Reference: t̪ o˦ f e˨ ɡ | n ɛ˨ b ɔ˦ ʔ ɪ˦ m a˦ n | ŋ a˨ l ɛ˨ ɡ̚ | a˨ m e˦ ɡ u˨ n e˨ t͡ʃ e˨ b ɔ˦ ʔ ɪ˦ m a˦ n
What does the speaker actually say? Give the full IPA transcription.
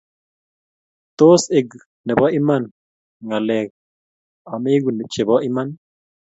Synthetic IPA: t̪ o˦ s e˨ ɡ | n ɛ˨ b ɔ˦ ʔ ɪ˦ m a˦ n | ŋ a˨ l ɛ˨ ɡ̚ | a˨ m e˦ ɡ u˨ n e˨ t͡ʃ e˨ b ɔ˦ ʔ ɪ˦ m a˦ n